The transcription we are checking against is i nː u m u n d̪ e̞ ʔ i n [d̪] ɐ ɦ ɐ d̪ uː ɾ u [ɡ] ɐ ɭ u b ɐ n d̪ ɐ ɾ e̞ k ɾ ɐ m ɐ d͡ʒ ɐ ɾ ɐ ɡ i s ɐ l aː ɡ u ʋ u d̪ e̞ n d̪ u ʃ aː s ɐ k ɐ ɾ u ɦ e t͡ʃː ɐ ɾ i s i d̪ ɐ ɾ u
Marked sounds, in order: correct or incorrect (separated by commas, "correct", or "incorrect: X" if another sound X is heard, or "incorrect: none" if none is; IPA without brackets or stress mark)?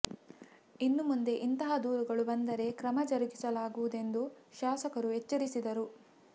incorrect: t̪, correct